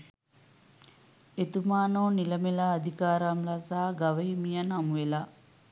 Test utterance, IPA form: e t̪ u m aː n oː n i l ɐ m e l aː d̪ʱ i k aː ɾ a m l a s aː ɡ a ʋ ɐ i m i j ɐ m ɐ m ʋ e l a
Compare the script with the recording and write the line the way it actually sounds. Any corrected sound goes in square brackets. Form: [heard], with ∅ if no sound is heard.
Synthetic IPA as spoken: e t̪ u m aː n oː n i l ɐ m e l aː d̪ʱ i k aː ɾ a m l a s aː ɡ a ʋ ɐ i m i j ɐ [n] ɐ m ʋ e l a